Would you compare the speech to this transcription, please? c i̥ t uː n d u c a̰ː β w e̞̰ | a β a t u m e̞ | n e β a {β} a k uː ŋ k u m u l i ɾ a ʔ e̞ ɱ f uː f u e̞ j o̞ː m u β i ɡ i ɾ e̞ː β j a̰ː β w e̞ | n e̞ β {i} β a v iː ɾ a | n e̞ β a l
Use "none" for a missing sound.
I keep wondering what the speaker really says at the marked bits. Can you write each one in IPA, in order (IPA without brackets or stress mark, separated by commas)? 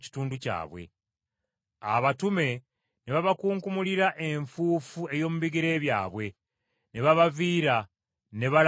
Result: β, a